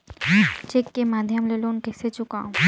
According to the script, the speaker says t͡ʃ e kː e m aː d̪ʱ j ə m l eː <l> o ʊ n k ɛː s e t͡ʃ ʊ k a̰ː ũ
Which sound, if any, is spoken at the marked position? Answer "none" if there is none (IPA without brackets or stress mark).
l